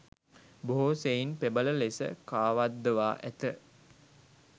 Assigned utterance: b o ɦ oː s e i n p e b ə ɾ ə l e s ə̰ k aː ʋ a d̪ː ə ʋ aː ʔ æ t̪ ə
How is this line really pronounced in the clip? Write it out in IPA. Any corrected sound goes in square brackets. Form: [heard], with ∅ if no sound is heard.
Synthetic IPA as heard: b o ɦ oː s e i n p e b ə [l] ə l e s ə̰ k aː ʋ a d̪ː ə ʋ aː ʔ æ t̪ ə